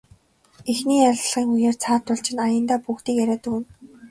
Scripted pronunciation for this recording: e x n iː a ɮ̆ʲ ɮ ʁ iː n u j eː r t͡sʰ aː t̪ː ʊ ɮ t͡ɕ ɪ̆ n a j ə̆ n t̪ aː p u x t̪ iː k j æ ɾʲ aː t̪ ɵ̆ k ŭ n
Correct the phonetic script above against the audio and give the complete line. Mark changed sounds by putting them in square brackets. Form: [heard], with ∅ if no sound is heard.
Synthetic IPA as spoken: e x n iː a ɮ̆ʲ ɮ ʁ iː [ŋ] u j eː r t͡sʰ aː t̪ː ʊ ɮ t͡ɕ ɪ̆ n a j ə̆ n t̪ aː p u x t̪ iː k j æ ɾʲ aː t̪ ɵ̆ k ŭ n